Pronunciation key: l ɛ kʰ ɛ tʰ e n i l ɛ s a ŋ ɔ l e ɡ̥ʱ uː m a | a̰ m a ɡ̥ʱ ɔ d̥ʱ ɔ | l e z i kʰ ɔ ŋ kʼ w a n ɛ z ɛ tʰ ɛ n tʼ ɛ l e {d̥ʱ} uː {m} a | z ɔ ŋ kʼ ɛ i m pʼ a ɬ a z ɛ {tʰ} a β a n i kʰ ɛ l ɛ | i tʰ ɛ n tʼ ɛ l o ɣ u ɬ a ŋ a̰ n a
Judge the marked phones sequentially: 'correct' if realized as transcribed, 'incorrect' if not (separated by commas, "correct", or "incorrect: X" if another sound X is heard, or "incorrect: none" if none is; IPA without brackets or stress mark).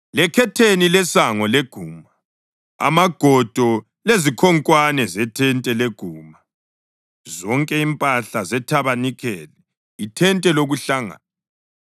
incorrect: ɡ̥ʱ, correct, correct